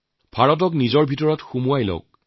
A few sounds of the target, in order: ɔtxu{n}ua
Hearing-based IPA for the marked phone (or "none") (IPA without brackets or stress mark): m